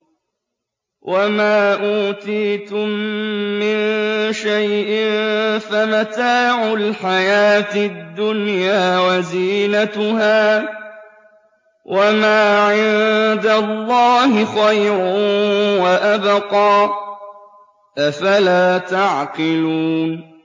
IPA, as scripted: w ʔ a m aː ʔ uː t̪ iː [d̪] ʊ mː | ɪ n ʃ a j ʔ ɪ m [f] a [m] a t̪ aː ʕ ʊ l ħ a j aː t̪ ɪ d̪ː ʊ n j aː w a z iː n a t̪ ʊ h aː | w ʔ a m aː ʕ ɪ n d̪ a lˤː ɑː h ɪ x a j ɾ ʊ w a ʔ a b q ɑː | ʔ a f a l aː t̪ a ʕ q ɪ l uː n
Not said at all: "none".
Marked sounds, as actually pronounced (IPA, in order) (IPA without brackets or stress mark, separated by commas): t̪, f, m